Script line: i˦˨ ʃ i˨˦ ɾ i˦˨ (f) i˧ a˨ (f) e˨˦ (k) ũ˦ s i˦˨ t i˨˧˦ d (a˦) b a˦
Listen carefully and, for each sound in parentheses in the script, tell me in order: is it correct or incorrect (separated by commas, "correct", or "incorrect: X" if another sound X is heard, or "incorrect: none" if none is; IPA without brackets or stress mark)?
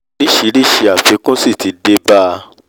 incorrect: ʃ, correct, correct, incorrect: e˦